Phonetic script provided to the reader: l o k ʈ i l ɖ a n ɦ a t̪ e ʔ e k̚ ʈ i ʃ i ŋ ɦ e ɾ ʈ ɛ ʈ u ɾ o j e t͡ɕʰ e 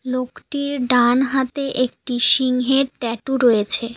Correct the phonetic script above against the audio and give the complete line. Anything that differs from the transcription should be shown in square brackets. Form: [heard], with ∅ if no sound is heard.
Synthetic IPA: l o k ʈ i [ɾ] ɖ a n ɦ a t̪ e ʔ e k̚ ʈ i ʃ i ŋ ɦ e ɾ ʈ ɛ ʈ u ɾ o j e t͡ɕʰ e